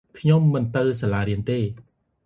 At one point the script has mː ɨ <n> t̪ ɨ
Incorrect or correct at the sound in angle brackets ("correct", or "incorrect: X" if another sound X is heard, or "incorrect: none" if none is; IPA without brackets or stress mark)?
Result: correct